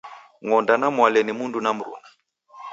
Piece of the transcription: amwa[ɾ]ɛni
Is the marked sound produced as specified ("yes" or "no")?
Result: no